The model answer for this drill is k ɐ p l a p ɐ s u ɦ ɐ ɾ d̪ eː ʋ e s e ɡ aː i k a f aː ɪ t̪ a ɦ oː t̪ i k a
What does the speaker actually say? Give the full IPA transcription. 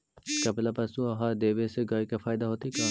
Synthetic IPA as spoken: k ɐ p l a p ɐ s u ɦ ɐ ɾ d̪ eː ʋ e s e ɡ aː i k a f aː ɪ d̪ a ɦ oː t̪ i k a